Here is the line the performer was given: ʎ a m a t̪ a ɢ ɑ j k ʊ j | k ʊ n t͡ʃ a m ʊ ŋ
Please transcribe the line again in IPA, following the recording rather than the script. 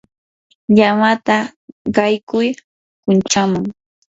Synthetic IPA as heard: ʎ a m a t̪ a ɢ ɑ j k ʊ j | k ʊ n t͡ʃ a m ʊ ŋ